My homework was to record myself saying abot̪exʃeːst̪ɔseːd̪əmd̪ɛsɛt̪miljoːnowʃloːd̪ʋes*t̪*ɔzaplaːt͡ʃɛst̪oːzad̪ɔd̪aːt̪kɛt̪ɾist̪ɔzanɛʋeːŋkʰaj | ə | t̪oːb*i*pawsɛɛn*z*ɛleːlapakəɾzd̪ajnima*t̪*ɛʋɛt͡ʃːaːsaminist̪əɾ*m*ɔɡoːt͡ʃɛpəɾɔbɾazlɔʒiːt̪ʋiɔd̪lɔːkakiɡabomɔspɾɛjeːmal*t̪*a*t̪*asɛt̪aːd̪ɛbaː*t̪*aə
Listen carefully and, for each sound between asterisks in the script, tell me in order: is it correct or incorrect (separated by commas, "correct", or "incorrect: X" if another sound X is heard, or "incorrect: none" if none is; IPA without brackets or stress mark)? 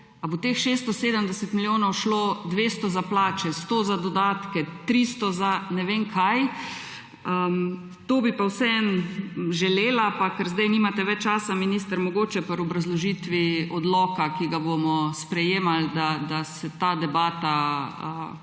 correct, correct, incorrect: ʒ, correct, correct, incorrect: d̪, incorrect: d̪, correct